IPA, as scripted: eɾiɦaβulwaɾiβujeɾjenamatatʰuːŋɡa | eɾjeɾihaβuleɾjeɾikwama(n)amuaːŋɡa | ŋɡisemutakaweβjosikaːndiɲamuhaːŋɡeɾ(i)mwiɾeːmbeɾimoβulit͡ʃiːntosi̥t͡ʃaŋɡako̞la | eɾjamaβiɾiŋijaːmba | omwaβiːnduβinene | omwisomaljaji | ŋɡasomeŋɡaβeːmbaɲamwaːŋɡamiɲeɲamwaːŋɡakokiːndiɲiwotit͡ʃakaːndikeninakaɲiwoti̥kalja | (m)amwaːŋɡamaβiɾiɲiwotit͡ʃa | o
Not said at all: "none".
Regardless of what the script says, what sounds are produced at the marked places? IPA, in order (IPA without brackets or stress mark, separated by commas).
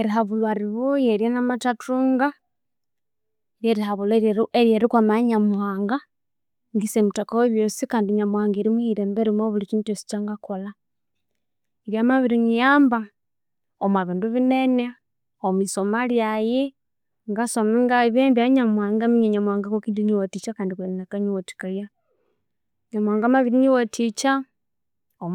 ɲ, i, ɲ